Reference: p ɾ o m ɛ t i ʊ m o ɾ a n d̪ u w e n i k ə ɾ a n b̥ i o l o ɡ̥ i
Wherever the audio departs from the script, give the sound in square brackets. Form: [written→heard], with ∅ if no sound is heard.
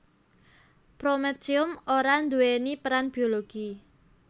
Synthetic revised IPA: p ɾ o m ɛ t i ʊ m o ɾ a n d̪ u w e n i [k→p] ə ɾ a n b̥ i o l o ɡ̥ i